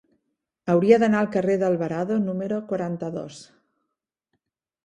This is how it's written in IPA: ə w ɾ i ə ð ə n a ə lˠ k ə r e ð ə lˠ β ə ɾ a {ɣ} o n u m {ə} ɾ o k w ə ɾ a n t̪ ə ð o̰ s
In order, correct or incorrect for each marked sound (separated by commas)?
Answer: incorrect, correct